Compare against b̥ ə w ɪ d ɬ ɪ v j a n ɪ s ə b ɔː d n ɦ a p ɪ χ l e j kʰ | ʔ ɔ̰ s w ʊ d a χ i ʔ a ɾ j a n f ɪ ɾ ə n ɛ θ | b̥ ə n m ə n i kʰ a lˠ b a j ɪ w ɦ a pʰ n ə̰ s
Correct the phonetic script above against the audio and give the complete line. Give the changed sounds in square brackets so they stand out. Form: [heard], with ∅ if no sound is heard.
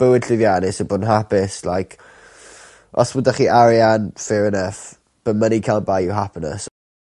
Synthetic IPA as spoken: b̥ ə w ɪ d ɬ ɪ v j a n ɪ s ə b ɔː d n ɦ a p ɪ [s] l [a] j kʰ | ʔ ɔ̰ s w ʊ d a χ i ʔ a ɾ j a n f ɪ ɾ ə n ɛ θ | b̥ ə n m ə n i kʰ a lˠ b a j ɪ w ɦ a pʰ n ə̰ s

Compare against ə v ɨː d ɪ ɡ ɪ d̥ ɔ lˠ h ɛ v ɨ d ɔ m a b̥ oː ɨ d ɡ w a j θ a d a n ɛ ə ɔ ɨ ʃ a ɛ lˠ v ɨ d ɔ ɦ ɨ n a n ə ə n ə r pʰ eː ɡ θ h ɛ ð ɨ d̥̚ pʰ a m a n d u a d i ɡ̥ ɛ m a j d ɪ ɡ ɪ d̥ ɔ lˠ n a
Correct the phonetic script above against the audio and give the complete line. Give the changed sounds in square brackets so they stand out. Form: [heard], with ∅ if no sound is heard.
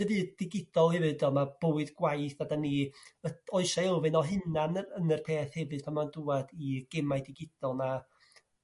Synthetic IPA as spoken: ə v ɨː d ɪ ɡ ɪ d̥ ɔ lˠ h ɛ v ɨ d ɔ m a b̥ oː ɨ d ɡ w a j θ a d a n [i] ə ɔ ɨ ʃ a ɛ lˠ v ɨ [n] ɔ ɦ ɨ n a n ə ə n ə r pʰ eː [∅] θ h ɛ [v] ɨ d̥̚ pʰ a m a n d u a d i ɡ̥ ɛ m a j d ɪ ɡ ɪ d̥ ɔ lˠ n a

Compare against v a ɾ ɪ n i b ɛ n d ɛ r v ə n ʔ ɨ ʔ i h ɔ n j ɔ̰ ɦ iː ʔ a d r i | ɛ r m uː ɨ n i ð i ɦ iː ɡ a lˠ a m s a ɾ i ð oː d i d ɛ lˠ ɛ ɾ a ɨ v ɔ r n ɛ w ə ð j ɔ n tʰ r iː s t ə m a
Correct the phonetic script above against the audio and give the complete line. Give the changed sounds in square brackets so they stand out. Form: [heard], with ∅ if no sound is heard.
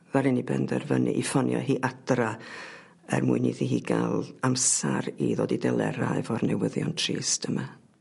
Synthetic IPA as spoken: v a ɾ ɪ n i b ɛ n d ɛ r v ə n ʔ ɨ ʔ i [f] ɔ n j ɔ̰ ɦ iː ʔ a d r [a] | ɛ r m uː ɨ n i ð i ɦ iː ɡ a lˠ a m s a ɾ i ð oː d i d ɛ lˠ ɛ ɾ a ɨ v ɔ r n ɛ w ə ð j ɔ n tʰ r iː s t ə m a

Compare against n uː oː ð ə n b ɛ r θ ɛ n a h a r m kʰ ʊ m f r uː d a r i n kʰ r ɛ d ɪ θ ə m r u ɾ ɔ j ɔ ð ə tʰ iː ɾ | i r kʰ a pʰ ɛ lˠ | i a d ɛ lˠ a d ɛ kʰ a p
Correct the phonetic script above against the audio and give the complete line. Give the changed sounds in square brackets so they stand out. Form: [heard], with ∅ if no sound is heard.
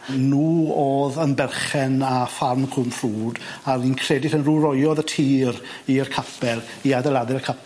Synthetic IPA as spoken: n uː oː ð ə n b ɛ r [χ] ɛ n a [f] a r m kʰ ʊ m f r uː d a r i n kʰ r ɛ d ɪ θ ə [n] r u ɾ ɔ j ɔ ð ə tʰ iː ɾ | i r kʰ a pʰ ɛ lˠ | i a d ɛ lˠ a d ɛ kʰ a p

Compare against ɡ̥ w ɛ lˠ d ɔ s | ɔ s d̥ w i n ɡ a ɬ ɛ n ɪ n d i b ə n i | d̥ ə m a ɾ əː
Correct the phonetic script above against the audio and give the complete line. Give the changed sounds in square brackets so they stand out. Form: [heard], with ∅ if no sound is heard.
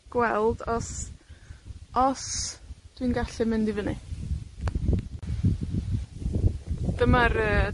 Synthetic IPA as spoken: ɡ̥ w ɛ lˠ d ɔ s | ɔ s d̥ w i n ɡ a ɬ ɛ [m] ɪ n d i [v] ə n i | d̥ ə m a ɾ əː

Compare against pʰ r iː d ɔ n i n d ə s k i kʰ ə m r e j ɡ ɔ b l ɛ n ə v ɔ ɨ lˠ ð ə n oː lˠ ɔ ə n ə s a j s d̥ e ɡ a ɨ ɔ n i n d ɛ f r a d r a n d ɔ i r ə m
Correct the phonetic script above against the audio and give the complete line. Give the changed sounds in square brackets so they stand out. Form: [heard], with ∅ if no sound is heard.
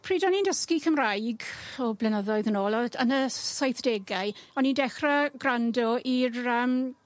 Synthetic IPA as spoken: pʰ r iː d ɔ n i n d ə s k i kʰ ə m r [a] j ɡ ɔ b l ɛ n ə [ð] ɔ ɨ [∅] ð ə n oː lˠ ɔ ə n ə s a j [θ] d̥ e ɡ a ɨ ɔ n i n d ɛ [χ] r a [ɡ] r a n d ɔ i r ə m

